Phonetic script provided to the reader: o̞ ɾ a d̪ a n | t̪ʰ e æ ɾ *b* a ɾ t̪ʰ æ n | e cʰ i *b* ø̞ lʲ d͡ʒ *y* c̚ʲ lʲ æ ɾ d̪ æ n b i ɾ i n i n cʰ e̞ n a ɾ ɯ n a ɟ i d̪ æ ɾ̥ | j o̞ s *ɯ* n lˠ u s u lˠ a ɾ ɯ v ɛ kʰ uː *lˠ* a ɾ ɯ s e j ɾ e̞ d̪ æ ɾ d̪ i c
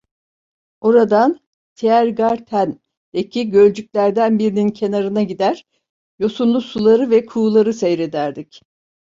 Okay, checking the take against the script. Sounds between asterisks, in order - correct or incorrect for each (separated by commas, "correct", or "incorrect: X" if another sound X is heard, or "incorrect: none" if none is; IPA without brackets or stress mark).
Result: incorrect: ɡ, incorrect: ɟ, correct, incorrect: u, correct